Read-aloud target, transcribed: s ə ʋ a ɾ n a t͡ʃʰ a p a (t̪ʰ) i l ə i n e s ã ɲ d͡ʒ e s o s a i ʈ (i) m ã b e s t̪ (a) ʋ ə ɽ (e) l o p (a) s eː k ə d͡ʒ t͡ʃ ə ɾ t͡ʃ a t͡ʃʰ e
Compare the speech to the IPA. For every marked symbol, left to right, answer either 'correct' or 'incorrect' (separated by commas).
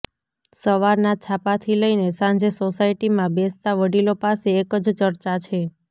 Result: correct, correct, correct, incorrect, correct